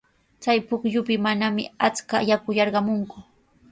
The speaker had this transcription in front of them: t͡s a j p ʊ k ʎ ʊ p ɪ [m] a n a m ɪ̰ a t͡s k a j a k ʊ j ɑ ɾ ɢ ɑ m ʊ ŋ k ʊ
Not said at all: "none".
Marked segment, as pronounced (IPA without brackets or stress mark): m